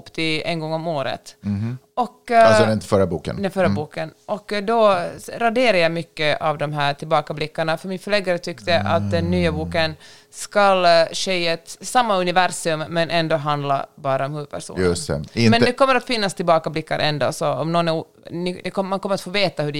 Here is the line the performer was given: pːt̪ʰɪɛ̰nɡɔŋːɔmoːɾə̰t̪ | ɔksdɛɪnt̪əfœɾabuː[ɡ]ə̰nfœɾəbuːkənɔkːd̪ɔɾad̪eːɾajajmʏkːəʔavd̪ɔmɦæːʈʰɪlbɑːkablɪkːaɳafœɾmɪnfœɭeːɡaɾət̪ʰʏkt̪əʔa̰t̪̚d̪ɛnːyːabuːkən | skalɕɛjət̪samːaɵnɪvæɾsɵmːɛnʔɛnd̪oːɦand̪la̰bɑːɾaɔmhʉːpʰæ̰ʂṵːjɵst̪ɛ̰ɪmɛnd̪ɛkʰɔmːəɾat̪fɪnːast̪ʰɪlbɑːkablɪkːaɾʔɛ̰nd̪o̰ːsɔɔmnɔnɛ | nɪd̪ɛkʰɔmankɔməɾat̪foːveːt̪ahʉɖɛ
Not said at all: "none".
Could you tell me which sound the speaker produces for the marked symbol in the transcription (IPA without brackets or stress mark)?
k